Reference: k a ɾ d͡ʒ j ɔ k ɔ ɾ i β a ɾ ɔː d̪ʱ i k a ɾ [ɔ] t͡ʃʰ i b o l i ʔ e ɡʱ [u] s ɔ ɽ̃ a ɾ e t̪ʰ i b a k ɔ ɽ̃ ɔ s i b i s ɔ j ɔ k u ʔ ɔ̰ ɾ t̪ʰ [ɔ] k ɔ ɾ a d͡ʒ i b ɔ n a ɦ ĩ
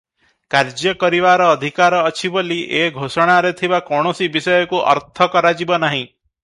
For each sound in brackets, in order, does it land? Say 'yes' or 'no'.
no, no, yes

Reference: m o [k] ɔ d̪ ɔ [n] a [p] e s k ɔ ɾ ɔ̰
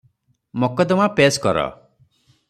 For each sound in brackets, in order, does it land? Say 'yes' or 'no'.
yes, no, yes

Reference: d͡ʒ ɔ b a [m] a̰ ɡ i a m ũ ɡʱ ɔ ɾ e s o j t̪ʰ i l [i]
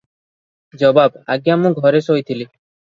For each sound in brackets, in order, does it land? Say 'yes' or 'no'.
no, yes

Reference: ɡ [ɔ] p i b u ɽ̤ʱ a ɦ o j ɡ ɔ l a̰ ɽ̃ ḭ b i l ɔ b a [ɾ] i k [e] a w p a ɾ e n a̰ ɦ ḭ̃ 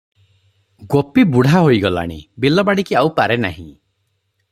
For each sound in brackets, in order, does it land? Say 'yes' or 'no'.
no, no, no

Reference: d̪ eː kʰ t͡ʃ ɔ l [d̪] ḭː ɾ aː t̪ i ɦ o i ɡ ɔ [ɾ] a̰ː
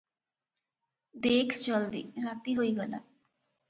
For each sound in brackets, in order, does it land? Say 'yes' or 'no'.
yes, no

